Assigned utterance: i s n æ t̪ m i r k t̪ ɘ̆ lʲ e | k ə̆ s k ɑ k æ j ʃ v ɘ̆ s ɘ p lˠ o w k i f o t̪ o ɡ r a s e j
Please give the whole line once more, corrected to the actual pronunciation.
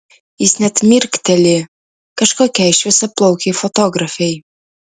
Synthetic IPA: i s n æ t̪ m i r k t̪ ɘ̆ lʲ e | k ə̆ ʃ k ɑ k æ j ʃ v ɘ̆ s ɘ p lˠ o w k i f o t̪ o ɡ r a f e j